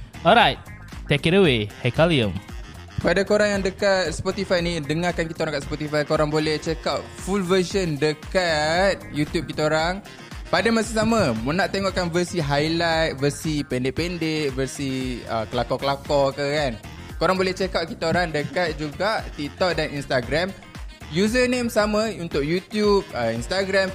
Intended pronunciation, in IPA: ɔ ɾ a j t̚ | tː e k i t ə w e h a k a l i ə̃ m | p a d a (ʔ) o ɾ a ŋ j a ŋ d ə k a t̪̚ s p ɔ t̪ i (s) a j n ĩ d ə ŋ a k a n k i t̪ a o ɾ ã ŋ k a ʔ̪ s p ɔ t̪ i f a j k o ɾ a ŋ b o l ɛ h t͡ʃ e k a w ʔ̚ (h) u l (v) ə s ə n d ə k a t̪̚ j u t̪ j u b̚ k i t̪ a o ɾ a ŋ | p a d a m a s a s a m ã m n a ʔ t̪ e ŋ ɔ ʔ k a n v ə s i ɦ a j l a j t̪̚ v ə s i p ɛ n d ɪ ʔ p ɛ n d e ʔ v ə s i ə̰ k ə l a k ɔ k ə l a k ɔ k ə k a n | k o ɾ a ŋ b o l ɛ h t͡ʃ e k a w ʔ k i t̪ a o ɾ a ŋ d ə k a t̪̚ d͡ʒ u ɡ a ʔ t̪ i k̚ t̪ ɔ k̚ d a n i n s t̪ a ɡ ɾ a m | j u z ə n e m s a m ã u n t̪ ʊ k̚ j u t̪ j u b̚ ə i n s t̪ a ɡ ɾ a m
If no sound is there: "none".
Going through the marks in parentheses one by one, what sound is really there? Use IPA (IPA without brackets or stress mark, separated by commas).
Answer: k, f, f, v